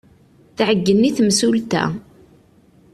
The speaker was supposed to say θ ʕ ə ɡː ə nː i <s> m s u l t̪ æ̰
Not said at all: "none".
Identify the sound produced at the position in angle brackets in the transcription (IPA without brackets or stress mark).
θ